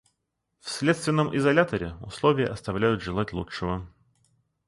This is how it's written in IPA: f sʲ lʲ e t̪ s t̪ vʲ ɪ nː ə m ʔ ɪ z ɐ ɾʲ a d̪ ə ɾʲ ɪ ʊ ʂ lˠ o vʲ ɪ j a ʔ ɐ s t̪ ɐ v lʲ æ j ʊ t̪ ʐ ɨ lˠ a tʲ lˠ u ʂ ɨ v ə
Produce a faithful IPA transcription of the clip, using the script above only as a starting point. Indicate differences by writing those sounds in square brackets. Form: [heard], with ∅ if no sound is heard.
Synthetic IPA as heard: f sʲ lʲ e t̪ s t̪ vʲ ɪ nː ə m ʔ ɪ z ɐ [lʲ] a [t̪] ə ɾʲ ɪ ʊ [s] lˠ o vʲ ɪ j [ə] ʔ ɐ s t̪ ɐ v lʲ æ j ʊ t̪ ʐ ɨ lˠ a tʲ lˠ u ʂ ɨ v ə

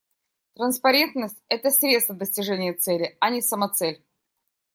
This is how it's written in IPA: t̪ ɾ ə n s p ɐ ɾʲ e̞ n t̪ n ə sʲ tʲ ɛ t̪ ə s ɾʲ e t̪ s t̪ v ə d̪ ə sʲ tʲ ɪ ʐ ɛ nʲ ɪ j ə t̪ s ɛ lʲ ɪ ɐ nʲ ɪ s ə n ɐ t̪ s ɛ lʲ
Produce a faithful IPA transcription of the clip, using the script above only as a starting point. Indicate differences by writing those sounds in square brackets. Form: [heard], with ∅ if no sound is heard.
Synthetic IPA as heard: t̪ ɾ ə n s p ɐ ɾʲ e̞ n t̪ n ə sʲ tʲ ɛ t̪ ə s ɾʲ e t̪ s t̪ v ə d̪ ə sʲ tʲ ɪ ʐ ɛ nʲ ɪ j ə t̪ s ɛ lʲ ɪ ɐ nʲ ɪ s ə [m] ɐ t̪ s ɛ lʲ

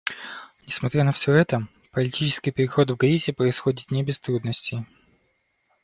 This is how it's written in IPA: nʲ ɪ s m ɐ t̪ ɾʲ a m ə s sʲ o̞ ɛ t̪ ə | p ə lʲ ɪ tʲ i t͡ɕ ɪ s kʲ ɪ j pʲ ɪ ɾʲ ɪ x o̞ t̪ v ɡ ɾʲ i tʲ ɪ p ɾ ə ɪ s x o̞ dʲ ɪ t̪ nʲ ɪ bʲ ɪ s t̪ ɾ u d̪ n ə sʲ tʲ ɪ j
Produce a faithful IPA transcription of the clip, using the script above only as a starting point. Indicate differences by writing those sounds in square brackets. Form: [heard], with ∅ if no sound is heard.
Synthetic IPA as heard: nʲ ɪ s m ɐ t̪ ɾʲ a [n] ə [f] sʲ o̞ ɛ t̪ ə | p ə lʲ ɪ tʲ i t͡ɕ ɪ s kʲ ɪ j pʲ ɪ ɾʲ ɪ x o̞ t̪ v ɡ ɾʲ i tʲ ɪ p ɾ ə ɪ s x o̞ dʲ ɪ t̪ nʲ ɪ bʲ ɪ s t̪ ɾ u d̪ n ə sʲ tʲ ɪ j

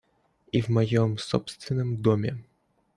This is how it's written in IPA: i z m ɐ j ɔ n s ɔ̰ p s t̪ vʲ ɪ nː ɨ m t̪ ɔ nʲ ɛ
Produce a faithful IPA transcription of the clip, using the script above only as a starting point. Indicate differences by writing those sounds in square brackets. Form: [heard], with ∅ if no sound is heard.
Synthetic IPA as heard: i [v] m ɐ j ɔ [m] s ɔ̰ p s t̪ vʲ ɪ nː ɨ m [d̪] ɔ [mʲ] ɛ

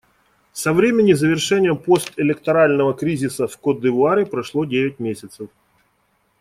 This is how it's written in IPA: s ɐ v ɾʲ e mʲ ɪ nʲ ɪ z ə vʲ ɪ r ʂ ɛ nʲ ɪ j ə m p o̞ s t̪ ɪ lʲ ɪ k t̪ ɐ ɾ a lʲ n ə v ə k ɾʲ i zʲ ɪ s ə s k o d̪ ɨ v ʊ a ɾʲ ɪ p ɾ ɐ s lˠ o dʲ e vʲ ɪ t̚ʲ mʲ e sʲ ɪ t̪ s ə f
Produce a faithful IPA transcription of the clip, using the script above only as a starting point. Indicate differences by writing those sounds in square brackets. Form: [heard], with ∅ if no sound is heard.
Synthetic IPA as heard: s ɐ v ɾʲ e mʲ ɪ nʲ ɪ z ə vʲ ɪ r ʂ ɛ nʲ ɪ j ə m p o̞ s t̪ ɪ lʲ ɪ k t̪ ɐ ɾ a lʲ n ə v ə k ɾʲ i zʲ ɪ s ə [f] k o d̪ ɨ v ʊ a ɾʲ ɪ p ɾ ɐ [ʂ] lˠ o dʲ e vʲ ɪ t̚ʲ mʲ e sʲ ɪ t̪ s ə f

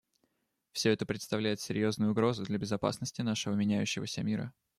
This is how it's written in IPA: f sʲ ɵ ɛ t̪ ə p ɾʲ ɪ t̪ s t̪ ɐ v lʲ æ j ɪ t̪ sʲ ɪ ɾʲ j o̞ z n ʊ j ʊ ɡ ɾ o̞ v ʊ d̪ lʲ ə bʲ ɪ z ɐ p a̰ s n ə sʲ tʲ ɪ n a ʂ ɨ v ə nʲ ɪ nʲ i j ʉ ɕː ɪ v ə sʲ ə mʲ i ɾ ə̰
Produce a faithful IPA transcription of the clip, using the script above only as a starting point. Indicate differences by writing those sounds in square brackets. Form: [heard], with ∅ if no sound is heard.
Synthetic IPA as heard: f sʲ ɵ ɛ t̪ ə p ɾʲ ɪ t̪ s t̪ ɐ v lʲ æ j ɪ t̪ sʲ ɪ ɾʲ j o̞ z n ʊ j ʊ ɡ ɾ o̞ [z] ʊ d̪ lʲ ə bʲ ɪ z ɐ p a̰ s n ə sʲ tʲ ɪ n a ʂ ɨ v ə [mʲ] ɪ nʲ [æ] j ʉ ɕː ɪ v ə sʲ ə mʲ i ɾ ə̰

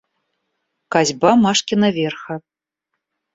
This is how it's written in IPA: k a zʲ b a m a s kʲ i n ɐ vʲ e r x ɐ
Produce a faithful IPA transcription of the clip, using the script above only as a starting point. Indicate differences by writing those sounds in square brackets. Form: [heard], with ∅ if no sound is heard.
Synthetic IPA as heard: k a zʲ b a m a [ʂ] kʲ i n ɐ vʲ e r x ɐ

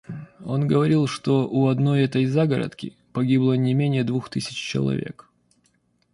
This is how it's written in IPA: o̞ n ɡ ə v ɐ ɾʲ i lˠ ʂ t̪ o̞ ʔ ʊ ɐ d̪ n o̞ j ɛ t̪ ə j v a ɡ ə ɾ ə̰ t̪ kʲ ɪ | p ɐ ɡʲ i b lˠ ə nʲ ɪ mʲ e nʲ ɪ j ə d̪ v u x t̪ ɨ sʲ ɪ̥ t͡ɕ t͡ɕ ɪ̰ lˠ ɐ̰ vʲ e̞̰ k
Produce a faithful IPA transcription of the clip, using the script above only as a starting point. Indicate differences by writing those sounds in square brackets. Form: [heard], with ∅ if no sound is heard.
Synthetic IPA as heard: o̞ n ɡ ə v ɐ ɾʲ i lˠ ʂ t̪ o̞ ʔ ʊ ɐ d̪ n o̞ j ɛ t̪ ə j [z] a ɡ ə ɾ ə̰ t̪ kʲ ɪ | p ɐ ɡʲ i b lˠ ə nʲ ɪ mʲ e nʲ ɪ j ə d̪ v u x t̪ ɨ sʲ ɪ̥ t͡ɕ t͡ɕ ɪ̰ lˠ ɐ̰ vʲ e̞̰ k

